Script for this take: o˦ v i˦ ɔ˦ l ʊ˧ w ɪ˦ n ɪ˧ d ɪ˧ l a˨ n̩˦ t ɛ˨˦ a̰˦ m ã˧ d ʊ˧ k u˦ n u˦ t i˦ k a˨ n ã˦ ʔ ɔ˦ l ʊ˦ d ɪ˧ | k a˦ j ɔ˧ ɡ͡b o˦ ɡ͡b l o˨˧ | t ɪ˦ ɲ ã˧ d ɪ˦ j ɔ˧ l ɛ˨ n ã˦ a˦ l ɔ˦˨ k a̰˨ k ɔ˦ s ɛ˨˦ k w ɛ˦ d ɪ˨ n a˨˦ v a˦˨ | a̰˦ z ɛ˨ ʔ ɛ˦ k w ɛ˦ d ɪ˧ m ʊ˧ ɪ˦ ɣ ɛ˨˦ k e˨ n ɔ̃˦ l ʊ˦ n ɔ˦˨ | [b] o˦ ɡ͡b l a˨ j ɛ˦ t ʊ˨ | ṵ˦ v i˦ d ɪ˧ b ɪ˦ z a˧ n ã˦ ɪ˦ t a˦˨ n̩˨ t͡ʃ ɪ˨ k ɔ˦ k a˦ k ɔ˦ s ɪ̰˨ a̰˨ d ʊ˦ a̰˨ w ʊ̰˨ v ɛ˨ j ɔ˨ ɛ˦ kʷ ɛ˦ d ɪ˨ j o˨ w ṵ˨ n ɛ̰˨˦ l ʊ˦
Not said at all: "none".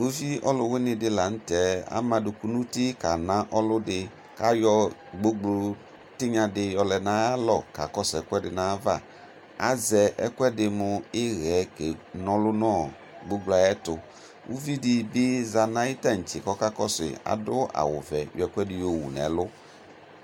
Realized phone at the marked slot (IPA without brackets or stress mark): ɡ͡b